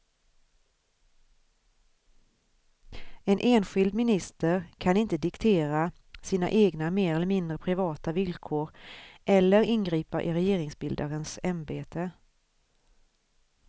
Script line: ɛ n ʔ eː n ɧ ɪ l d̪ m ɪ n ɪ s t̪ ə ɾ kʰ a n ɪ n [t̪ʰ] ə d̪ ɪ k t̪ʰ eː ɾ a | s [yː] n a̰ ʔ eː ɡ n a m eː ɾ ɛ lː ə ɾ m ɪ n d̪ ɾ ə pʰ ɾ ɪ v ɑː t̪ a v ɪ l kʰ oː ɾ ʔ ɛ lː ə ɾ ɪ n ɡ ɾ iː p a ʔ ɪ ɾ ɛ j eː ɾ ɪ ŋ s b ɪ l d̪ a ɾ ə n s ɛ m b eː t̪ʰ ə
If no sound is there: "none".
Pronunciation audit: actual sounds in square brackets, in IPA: t̪, iː

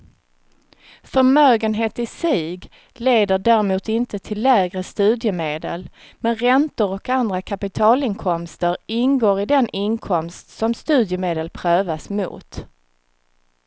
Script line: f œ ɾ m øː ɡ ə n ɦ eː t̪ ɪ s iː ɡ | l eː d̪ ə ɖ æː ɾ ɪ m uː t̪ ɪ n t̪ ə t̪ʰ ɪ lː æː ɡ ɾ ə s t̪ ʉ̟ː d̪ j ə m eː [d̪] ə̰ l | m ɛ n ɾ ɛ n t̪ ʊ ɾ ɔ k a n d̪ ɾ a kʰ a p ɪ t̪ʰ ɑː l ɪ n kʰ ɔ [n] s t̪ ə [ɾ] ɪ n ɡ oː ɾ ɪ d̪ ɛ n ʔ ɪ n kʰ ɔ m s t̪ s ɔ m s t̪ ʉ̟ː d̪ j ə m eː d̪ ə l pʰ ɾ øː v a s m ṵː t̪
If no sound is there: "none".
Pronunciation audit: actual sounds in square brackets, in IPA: d̪, m, ɾ

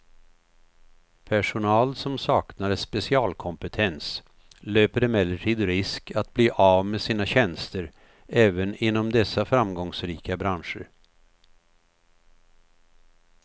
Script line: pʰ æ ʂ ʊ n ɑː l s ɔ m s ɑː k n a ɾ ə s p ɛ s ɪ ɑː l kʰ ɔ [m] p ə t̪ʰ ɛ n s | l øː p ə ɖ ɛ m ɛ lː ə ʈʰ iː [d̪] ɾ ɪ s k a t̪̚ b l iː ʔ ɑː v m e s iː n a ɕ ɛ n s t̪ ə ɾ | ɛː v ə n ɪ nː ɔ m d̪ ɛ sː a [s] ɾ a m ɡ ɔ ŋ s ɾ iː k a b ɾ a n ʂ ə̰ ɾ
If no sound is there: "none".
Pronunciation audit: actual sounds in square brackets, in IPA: m, d̪, f

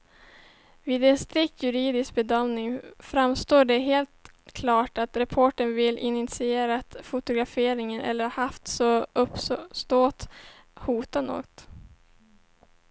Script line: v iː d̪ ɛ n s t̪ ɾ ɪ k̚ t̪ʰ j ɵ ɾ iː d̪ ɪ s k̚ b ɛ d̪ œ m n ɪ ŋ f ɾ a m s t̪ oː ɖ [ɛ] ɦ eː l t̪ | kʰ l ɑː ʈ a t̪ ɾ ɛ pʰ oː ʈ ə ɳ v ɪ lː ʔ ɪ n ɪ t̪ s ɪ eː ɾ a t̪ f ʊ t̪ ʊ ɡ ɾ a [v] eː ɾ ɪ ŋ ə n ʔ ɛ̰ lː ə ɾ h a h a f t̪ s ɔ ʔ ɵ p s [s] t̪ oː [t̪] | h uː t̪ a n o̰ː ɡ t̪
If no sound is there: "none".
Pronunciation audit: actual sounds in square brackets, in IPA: ɛ, f, s, t̪

